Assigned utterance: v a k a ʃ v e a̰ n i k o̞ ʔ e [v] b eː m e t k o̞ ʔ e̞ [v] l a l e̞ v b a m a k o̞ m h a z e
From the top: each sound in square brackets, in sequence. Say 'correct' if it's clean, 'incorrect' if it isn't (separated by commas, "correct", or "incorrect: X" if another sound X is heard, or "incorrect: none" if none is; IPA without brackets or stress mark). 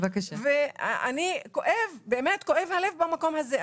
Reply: correct, correct